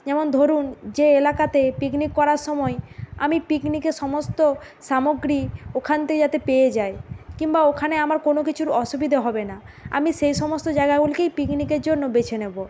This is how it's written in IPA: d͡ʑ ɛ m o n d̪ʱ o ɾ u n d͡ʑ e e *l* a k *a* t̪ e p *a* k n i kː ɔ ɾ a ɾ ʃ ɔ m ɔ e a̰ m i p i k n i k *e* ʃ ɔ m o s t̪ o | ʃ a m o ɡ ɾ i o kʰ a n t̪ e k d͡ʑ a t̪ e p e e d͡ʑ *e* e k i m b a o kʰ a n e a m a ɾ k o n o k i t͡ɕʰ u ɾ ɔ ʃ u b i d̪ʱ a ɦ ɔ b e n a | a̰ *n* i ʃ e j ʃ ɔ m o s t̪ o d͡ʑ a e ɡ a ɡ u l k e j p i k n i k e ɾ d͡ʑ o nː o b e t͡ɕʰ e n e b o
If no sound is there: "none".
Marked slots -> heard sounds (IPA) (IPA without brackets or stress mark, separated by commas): l, a, i, e, a, m